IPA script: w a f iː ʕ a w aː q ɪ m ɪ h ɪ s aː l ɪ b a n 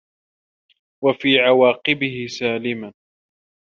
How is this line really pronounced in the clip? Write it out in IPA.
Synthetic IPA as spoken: w a f iː ʕ a w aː q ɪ b ɪ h ɪ s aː l ɪ m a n